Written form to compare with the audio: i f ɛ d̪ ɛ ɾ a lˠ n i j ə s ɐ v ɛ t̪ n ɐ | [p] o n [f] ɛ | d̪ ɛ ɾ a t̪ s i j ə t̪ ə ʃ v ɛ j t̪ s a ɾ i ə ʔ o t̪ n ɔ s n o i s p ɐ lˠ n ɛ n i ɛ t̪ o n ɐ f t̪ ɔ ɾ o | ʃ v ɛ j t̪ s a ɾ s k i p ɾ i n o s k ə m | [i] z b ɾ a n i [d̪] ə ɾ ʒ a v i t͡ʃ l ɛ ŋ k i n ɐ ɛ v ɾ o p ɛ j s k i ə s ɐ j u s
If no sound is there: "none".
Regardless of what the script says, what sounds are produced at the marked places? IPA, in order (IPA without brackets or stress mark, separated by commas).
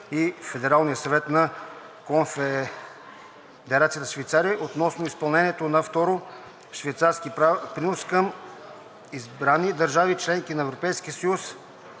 k, f, i, d̪